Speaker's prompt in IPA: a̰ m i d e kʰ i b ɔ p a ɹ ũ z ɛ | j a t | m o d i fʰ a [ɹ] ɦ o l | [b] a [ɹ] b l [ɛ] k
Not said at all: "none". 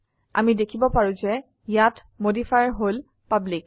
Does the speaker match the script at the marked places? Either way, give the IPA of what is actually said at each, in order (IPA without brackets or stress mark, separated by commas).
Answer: ɹ, p, none, i